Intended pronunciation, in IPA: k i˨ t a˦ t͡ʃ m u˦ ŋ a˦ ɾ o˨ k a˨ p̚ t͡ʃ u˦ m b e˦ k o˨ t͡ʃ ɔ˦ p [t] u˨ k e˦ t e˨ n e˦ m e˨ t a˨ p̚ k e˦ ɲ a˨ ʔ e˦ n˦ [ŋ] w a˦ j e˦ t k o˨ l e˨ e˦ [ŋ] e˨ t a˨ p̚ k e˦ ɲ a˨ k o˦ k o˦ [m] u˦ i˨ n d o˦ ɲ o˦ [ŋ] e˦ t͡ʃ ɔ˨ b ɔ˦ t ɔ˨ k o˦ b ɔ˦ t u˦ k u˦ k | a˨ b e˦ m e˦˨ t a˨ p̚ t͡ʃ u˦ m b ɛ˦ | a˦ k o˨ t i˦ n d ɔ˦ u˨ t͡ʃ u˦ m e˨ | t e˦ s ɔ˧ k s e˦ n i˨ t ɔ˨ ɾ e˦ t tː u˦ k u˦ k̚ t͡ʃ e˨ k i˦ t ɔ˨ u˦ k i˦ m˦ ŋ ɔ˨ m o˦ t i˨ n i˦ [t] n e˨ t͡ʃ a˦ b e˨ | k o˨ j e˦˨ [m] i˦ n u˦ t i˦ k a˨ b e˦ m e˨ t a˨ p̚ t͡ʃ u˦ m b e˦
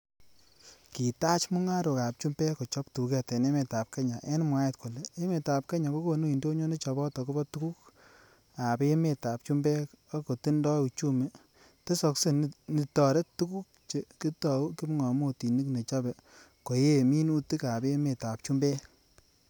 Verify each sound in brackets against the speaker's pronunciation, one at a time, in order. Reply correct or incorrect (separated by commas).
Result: correct, incorrect, incorrect, incorrect, incorrect, incorrect, correct